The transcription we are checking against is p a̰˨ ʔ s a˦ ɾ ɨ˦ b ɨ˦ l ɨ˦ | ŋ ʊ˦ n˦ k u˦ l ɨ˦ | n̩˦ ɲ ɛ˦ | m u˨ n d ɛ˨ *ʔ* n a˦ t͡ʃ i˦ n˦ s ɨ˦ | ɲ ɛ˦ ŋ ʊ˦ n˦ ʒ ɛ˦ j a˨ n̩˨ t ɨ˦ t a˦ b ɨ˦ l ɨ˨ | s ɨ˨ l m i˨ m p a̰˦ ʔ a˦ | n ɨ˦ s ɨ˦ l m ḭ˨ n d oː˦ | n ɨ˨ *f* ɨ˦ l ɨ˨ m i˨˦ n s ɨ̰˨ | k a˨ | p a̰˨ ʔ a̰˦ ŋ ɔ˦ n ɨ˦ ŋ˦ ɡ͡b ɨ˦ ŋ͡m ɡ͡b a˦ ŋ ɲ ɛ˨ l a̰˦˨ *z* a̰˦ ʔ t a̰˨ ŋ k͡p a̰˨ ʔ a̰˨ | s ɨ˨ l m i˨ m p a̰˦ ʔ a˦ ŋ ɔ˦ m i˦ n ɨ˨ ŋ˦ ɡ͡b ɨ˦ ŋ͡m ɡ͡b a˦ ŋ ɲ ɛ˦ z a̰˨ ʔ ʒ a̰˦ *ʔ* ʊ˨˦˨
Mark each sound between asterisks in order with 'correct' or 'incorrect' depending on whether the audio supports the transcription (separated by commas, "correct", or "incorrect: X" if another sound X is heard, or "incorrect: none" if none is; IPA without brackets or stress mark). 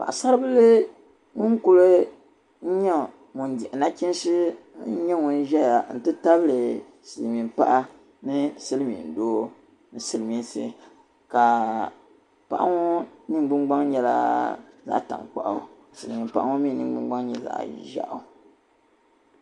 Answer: correct, incorrect: s, correct, correct